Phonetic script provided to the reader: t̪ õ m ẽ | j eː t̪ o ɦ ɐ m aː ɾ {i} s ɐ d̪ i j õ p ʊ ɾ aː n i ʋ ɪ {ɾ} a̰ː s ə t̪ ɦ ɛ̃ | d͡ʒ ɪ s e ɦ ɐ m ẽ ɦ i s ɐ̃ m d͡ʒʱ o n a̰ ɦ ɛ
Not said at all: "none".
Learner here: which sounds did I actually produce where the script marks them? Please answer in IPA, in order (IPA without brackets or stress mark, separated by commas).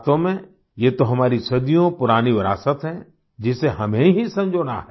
i, ɾ